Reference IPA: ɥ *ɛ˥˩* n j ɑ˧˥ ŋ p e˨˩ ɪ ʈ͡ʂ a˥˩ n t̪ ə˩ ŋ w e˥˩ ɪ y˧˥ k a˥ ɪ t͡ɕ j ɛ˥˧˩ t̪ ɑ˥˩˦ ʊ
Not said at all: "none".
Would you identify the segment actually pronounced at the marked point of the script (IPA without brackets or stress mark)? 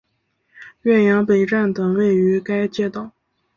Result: ɛ˥˩